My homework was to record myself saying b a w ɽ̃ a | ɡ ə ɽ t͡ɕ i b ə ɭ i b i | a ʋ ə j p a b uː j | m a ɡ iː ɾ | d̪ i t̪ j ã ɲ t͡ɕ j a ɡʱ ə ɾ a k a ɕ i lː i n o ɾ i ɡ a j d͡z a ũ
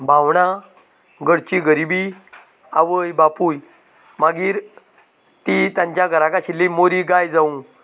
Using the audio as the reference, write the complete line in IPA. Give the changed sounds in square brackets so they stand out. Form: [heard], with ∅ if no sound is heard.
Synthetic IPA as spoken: b a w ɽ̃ a | ɡ ə ɽ t͡ɕ i [ɡ] ə [ɾ] i b i | a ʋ ə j [b] a [p] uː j | m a ɡ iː ɾ | [t̪] i t̪ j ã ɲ t͡ɕ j a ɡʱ ə ɾ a k a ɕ i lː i [m] o ɾ i ɡ a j d͡z a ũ